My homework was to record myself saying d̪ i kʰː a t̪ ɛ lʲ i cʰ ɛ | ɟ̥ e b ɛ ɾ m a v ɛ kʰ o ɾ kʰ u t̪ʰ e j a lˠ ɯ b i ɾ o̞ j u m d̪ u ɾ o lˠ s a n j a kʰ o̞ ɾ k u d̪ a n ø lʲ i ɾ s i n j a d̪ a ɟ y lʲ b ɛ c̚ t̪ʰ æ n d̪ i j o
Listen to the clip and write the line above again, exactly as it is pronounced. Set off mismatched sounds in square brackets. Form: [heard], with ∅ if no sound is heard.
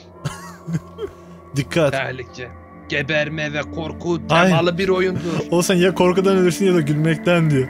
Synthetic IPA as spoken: d̪ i kʰː a t̪ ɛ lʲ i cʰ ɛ | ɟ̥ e b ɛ ɾ m [ɛ] v ɛ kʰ o ɾ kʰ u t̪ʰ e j a lˠ ɯ b i ɾ o̞ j u [n] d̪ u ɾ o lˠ s a n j a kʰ o̞ ɾ k u d̪ a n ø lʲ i ɾ s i n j a d̪ a ɟ y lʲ [m] ɛ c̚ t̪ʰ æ n d̪ i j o